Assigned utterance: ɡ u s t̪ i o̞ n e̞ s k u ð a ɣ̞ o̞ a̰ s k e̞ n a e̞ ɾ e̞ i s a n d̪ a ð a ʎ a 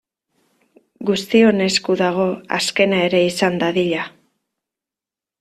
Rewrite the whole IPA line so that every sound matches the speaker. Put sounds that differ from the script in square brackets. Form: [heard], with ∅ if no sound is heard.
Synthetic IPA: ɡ u s t̪ i o̞ n e̞ s k u ð a ɣ̞ o̞ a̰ s k e̞ n a e̞ ɾ e̞ i s a n d̪ a ð [i] ʎ a

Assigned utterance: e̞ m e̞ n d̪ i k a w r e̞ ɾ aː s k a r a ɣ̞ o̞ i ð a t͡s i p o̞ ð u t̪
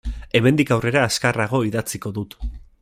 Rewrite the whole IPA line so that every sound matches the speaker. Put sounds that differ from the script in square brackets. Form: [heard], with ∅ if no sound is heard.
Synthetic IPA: e̞ m e̞ n d̪ i k a w r e̞ ɾ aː s k a r a ɣ̞ o̞ i ð a t͡s i [k] o̞ ð u t̪

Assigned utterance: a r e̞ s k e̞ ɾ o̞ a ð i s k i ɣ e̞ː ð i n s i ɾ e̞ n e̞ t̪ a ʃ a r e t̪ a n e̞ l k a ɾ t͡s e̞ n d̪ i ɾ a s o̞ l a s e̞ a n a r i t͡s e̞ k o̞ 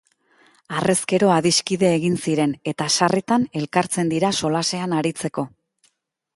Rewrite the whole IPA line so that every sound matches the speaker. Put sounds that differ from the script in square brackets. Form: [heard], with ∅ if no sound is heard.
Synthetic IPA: a r e̞ s k e̞ ɾ o̞ a ð i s k i [ð] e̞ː [ɣ] i n s i ɾ e̞ n e̞ t̪ a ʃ a r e t̪ a n e̞ l k a ɾ t͡s e̞ n d̪ i ɾ a s o̞ l a s e̞ a n a [ɾ] i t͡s e̞ k o̞

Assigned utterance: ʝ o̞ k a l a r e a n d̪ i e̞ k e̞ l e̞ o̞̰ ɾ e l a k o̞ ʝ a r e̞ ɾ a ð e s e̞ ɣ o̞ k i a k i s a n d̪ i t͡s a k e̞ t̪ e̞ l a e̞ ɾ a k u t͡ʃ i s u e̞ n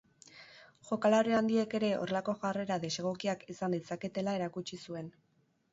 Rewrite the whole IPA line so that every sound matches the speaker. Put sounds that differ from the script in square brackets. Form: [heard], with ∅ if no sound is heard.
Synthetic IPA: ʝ o̞ k a l a [ɾ] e a n d̪ i e̞ k e̞ [ɾ] e̞ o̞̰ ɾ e l a k o̞ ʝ a r e̞ ɾ a ð e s e̞ ɣ o̞ k i a k i s a n d̪ i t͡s a k e̞ t̪ e̞ l a e̞ ɾ a k u t͡ʃ i s u e̞ n

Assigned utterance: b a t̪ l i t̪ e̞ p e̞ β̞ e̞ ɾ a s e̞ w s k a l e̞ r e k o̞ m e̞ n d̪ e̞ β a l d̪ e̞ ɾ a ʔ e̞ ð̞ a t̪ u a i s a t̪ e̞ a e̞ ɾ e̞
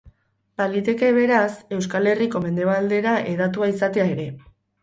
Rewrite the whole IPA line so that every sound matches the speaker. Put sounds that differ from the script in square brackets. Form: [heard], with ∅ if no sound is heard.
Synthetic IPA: b a [∅] l i t̪ e̞ [k] e̞ β̞ e̞ ɾ a s e̞ w s k a l e̞ r [i] k o̞ m e̞ n d̪ e̞ β a l d̪ e̞ ɾ a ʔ e̞ ð̞ a t̪ u a i s a t̪ e̞ a e̞ ɾ e̞

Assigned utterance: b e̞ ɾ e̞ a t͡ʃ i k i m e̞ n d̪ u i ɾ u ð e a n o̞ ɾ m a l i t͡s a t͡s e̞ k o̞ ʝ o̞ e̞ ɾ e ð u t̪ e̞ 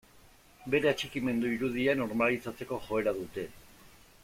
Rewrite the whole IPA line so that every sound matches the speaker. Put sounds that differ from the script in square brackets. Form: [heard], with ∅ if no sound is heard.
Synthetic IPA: b e̞ ɾ e̞ a t͡ʃ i k i m e̞ n d̪ u i ɾ u ð [i] a n o̞ ɾ m a l i t͡s a t͡s e̞ k o̞ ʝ o̞ e̞ ɾ [a] ð u t̪ e̞

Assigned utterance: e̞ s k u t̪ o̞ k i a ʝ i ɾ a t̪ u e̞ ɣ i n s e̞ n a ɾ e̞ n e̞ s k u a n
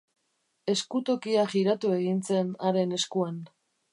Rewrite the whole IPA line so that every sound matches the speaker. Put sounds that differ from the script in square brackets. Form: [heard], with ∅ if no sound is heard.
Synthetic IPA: e̞ s k u t̪ o̞ k i a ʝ i ɾ a t̪ u e̞ ɣ i n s e̞ n a ɾ e̞ n e̞ s k u a n

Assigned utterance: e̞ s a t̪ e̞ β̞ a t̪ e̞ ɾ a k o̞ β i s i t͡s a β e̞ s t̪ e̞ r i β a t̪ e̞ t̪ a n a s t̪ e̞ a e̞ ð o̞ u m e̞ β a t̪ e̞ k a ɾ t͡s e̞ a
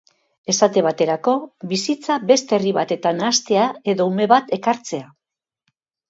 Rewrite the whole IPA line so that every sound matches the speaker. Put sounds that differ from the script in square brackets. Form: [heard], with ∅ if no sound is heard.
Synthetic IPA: e̞ s a t̪ e̞ β̞ a t̪ e̞ ɾ a k o̞ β i s i t͡s a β e̞ s t̪ e̞ r i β a t̪ e̞ t̪ a n a s t̪ e̞ a e̞ ð o̞ u m e̞ β a t̪ e̞ k a ɾ t͡s e̞ a

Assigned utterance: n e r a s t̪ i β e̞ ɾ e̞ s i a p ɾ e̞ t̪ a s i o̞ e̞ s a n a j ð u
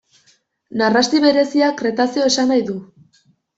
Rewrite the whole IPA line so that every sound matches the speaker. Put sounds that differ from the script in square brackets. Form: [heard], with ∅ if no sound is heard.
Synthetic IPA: n [a] r a s t̪ i β e̞ ɾ e̞ s i a [k] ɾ e̞ t̪ a s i o̞ e̞ s a n a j ð u

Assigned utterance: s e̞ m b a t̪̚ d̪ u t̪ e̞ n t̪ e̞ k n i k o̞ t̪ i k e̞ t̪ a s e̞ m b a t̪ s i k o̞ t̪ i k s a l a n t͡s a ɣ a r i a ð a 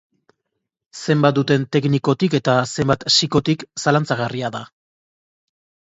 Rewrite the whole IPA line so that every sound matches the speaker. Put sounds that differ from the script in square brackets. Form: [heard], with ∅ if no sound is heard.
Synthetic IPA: s e̞ m b a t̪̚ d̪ u t̪ e̞ n t̪ e̞ k n i k o̞ t̪ i k e̞ t̪ a s e̞ m b a t̪ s i k o̞ t̪ i k s a l a n t͡s a ɣ a r i a ð a

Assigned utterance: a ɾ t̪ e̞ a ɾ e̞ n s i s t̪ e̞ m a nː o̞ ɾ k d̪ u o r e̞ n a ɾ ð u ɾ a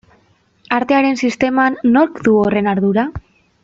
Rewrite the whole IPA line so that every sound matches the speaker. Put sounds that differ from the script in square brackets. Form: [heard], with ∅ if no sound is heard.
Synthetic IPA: a ɾ t̪ e̞ a ɾ e̞ n s i s t̪ e̞ m a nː o̞ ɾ k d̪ u o r e̞ n a ɾ ð u ɾ a

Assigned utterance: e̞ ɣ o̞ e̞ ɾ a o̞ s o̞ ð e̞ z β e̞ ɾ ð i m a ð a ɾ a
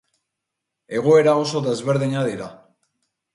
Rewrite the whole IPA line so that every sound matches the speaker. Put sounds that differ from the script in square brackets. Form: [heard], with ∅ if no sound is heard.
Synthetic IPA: e̞ ɣ o̞ e̞ ɾ a o̞ s o̞ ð e̞ z β e̞ ɾ ð i [ɲ] a ð [i] ɾ a

